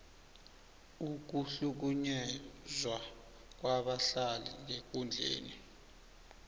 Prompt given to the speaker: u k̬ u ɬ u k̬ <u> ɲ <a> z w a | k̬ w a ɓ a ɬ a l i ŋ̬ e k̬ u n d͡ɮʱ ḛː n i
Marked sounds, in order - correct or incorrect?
correct, incorrect

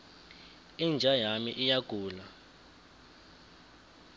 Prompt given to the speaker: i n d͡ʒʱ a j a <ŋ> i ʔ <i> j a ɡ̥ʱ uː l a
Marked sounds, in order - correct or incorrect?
incorrect, correct

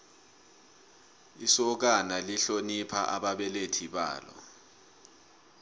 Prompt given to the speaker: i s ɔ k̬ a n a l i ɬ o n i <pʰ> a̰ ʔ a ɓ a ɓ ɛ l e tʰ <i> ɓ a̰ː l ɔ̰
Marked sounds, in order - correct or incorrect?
correct, correct

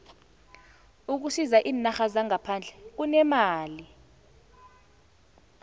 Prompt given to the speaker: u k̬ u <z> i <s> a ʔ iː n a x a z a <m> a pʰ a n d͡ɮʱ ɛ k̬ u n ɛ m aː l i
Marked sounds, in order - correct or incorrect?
incorrect, incorrect, incorrect

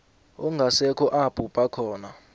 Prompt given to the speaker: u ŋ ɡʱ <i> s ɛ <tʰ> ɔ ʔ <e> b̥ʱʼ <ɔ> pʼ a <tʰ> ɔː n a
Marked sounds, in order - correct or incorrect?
incorrect, incorrect, incorrect, incorrect, incorrect

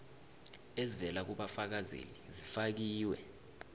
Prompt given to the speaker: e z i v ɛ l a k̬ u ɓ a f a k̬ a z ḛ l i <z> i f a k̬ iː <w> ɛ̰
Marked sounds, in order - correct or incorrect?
correct, correct

